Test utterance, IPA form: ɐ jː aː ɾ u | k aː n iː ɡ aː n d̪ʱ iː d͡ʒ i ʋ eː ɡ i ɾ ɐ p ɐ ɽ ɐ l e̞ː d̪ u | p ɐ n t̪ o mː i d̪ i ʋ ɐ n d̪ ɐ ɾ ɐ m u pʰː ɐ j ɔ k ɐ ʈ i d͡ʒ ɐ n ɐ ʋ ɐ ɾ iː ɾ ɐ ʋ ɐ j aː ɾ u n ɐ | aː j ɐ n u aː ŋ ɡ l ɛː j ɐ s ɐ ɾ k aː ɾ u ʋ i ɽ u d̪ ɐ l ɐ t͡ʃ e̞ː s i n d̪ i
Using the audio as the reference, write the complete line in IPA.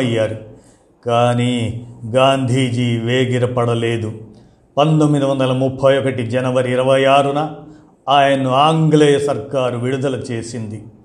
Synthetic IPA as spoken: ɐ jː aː ɾ u | k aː n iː ɡ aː n d̪ʱ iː d͡ʒ i ʋ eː ɡ i ɾ ɐ p ɐ ɽ ɐ l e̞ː d̪ u | p ɐ n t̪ o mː i d̪ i ʋ ɐ n d̪ ɐ l ɐ m u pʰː ɐ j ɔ k ɐ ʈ i d͡ʒ ɐ n ɐ ʋ ɐ ɾ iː ɾ ɐ ʋ ɐ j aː ɾ u n ɐ | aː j ɐ n u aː ŋ ɡ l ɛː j ɐ s ɐ ɾ k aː ɾ u ʋ i ɽ u d̪ ɐ l ɐ t͡ʃ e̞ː s i n d̪ i